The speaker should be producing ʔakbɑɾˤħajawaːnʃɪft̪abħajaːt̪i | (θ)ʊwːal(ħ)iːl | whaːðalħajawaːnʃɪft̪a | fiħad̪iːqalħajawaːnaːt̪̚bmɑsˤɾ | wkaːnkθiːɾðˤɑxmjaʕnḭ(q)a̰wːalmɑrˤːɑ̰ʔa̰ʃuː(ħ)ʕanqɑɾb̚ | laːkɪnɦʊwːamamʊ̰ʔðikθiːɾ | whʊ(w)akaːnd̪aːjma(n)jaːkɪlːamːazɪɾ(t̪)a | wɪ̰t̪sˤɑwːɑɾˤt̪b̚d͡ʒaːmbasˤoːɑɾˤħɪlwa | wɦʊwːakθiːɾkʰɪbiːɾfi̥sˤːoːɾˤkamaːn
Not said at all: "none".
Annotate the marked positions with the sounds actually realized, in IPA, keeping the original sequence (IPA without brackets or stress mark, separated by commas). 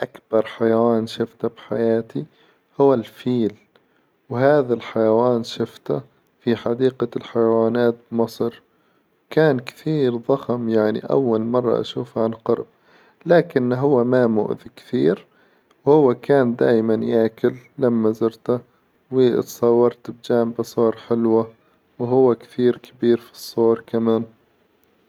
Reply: h, f, ʔ, f, wː, n, t̪